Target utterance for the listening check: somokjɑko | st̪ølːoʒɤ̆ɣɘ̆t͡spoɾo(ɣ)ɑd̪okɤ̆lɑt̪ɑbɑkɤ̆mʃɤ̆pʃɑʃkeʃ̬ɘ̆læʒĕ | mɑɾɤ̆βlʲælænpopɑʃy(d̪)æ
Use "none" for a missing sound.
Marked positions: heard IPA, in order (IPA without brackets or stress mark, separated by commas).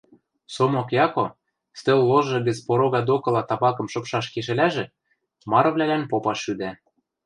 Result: ɣ, d̪